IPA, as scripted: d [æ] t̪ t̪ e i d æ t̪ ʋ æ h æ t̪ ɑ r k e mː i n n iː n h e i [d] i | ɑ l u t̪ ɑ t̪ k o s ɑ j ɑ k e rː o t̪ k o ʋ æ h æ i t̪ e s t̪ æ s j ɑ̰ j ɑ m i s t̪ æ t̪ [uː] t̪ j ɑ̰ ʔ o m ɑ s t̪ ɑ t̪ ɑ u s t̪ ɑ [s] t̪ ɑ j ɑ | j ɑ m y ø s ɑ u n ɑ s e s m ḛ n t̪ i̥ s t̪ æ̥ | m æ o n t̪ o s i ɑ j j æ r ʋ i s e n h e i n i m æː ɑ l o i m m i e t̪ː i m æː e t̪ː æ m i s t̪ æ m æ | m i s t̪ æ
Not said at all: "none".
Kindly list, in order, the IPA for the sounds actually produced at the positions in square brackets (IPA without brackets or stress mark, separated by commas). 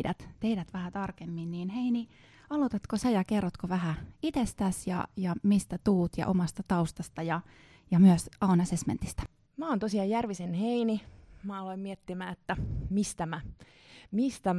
æ, n, uː, s